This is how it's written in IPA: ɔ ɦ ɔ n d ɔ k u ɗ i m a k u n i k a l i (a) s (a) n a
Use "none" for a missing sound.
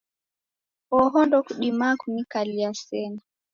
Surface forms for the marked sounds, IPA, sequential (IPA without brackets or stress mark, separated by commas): a, ɛ